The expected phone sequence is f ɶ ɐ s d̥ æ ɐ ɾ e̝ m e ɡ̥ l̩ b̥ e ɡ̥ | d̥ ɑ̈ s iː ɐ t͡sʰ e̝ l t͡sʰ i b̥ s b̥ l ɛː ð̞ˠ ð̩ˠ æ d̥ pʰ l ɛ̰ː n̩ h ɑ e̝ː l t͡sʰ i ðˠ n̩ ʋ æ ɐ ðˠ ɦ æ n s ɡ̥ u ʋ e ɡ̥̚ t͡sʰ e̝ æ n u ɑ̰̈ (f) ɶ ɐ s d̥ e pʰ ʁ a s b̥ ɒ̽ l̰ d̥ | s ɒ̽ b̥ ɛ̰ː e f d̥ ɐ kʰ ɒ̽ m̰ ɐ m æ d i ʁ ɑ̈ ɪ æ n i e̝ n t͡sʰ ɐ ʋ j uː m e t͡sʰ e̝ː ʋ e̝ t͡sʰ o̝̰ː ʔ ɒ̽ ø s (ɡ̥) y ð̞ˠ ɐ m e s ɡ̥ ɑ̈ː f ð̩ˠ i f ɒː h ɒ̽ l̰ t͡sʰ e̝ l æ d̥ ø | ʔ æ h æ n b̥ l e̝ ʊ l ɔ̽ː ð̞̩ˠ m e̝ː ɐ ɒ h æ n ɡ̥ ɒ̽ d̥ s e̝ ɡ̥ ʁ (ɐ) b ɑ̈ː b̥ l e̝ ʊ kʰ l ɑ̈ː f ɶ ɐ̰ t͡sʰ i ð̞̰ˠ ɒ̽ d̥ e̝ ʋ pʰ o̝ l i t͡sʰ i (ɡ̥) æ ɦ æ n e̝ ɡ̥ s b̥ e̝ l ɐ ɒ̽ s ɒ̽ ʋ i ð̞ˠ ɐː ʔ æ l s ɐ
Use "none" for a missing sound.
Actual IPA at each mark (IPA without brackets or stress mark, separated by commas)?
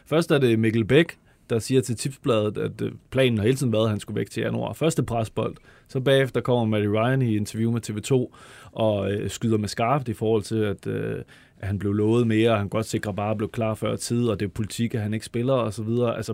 f, ɡ̥, ɐ, ɡ̥